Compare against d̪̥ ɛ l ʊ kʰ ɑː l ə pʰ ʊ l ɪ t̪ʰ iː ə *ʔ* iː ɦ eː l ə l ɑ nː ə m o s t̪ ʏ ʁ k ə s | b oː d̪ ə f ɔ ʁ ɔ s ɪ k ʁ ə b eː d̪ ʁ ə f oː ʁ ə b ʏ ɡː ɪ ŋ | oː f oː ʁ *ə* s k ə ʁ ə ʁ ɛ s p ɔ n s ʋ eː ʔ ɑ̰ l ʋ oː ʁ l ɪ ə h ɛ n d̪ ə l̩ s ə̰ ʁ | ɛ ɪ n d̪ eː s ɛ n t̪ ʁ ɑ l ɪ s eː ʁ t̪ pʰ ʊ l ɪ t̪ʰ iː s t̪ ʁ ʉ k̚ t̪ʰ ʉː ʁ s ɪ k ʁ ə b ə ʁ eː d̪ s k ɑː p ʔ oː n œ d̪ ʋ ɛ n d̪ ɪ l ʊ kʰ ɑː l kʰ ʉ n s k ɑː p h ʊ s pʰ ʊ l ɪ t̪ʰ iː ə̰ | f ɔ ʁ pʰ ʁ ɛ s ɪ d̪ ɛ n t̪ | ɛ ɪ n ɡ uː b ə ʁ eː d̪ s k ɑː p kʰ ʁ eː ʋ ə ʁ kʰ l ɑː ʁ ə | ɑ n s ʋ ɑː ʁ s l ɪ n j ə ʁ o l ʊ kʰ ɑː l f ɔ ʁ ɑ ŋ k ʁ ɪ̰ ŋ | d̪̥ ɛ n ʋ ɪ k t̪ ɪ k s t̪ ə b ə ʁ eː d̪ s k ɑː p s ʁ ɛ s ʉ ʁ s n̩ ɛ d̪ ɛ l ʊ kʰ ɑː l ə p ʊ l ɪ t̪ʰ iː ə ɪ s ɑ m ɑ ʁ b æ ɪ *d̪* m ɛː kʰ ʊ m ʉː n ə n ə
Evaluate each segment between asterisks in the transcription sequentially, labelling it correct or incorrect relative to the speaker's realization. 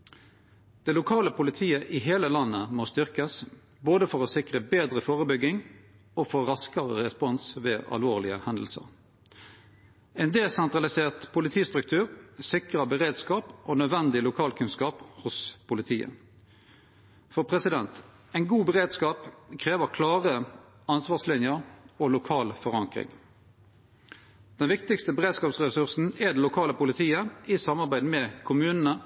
correct, incorrect: ɑ, correct

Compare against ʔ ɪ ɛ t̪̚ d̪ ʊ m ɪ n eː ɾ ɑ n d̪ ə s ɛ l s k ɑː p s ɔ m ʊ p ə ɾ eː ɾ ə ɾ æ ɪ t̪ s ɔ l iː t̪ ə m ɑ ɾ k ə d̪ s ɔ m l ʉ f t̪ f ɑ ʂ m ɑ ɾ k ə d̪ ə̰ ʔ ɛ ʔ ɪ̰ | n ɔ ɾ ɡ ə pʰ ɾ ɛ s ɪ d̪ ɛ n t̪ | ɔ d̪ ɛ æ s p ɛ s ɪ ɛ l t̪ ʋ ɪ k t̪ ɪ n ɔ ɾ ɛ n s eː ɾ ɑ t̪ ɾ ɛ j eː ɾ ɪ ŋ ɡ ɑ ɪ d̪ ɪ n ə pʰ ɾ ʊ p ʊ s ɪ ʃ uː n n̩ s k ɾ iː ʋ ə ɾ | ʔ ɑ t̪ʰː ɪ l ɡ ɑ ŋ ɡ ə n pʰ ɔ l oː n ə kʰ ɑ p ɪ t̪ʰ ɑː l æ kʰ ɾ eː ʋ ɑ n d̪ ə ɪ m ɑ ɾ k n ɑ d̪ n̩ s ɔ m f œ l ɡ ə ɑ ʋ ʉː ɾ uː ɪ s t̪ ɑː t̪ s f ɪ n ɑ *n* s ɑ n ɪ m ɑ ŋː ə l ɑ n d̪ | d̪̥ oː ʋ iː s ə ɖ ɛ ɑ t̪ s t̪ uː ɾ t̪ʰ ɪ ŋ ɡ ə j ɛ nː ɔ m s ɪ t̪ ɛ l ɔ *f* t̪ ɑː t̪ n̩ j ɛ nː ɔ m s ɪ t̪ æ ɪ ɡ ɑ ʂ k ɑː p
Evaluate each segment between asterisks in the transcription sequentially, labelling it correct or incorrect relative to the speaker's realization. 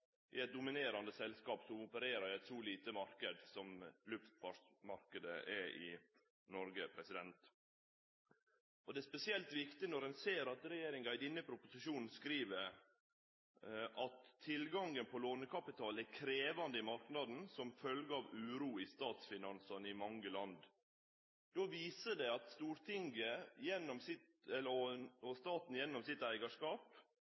correct, incorrect: s

